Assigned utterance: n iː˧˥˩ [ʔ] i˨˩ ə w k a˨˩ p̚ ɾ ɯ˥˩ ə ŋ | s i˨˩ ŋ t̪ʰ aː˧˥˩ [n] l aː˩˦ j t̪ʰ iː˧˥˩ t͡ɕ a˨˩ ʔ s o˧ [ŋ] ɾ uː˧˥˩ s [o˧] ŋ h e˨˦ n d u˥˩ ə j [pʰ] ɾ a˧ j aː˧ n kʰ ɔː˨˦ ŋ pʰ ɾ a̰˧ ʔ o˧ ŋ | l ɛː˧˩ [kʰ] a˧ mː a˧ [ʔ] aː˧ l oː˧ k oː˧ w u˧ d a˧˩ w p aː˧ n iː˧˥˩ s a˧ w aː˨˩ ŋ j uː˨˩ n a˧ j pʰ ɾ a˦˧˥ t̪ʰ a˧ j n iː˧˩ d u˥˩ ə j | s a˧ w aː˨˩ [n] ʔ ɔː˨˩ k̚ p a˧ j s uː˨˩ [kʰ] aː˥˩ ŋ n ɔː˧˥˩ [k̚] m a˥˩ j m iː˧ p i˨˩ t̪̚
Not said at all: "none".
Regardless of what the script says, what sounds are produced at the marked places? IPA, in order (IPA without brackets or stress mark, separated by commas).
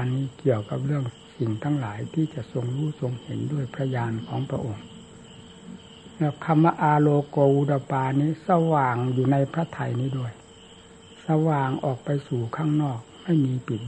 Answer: k, ŋ, ŋ, o˧, pʰ, kʰ, ʔ, ŋ, kʰ, k̚